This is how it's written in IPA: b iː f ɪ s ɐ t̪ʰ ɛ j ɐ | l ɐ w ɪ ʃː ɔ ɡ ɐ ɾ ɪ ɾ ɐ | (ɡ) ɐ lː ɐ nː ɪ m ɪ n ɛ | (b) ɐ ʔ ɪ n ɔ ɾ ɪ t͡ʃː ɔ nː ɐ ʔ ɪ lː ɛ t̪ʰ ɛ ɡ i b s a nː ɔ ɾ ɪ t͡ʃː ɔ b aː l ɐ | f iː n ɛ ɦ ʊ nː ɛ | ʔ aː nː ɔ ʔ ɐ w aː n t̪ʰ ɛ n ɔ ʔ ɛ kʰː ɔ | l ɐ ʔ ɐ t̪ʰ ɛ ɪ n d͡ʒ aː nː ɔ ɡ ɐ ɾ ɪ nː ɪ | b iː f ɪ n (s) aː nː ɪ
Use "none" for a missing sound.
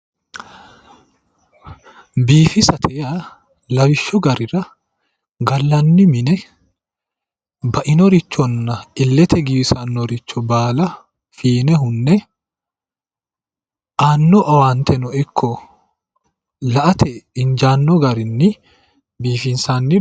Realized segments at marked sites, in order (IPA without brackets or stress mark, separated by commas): ɡ, b, s